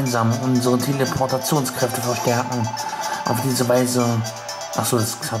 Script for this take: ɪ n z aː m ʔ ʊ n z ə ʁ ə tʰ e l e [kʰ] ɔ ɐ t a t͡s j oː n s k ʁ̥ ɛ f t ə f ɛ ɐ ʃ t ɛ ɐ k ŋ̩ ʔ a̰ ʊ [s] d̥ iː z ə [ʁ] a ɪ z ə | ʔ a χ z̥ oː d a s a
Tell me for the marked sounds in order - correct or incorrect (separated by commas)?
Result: incorrect, incorrect, incorrect